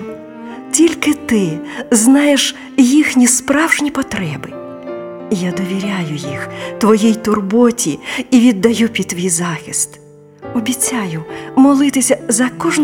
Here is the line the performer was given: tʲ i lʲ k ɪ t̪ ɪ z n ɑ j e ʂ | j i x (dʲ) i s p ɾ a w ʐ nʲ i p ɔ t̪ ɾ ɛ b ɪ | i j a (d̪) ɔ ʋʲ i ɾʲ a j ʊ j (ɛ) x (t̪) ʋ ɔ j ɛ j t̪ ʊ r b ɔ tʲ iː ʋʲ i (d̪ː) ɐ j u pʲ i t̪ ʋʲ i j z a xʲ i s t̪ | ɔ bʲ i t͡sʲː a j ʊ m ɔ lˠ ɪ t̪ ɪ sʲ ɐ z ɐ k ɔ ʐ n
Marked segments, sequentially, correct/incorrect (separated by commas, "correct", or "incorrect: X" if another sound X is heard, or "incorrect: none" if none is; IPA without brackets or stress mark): incorrect: nʲ, correct, incorrect: i, correct, correct